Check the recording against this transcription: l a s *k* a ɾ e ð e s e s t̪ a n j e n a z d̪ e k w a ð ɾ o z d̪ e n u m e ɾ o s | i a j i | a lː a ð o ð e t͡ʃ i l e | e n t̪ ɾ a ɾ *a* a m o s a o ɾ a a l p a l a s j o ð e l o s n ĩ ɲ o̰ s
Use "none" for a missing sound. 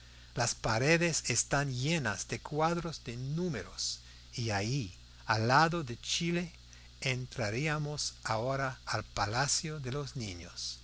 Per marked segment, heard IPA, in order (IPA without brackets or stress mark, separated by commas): p, i